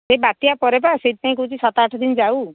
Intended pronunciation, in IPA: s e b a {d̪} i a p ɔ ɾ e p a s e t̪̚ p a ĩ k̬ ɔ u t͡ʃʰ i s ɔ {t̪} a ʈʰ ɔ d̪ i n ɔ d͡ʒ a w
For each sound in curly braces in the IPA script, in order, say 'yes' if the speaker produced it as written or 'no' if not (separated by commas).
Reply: no, yes